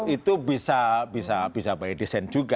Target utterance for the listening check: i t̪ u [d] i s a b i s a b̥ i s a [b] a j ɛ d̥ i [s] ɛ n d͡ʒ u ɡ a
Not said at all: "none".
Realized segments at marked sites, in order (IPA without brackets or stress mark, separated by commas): b, b, s